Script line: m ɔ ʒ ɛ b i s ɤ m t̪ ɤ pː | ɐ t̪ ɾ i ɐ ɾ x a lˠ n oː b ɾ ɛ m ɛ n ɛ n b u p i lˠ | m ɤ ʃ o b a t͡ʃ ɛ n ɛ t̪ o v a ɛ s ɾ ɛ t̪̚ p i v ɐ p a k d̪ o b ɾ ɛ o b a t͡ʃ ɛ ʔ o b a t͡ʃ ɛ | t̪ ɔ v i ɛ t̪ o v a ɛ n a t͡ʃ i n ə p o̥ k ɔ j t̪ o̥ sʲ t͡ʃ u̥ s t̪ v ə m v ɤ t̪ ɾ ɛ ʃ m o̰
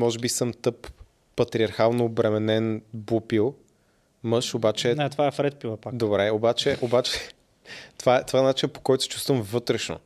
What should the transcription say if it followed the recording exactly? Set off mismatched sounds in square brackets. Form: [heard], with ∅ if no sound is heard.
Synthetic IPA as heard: m ɔ ʒ ɛ b i s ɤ m t̪ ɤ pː | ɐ t̪ ɾ i ɐ ɾ x a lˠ n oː b ɾ ɛ m ɛ n ɛ n b u p i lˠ | m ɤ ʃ o b a t͡ʃ ɛ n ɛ t̪ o v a ɛ [f] ɾ ɛ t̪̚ p i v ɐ p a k d̪ o b ɾ ɛ o b a t͡ʃ ɛ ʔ o b a t͡ʃ ɛ | t̪ [o] v [a] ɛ t̪ o v a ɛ n a t͡ʃ i n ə p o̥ k ɔ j t̪ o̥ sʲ t͡ʃ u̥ s t̪ v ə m v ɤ t̪ ɾ ɛ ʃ [n] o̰